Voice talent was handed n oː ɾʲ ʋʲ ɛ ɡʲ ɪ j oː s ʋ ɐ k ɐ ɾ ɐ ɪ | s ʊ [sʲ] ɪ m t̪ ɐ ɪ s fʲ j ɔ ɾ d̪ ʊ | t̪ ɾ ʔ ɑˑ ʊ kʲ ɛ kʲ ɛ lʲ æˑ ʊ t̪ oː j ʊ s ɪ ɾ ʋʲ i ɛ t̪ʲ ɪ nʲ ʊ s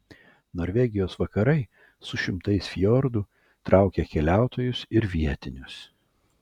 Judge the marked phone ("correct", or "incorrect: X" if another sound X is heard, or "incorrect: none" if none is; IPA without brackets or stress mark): incorrect: ʃʲ